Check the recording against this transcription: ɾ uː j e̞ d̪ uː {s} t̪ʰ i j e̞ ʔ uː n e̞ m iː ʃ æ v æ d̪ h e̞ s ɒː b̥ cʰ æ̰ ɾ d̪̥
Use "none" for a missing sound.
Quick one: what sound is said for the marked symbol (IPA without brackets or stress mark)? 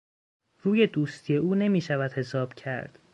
s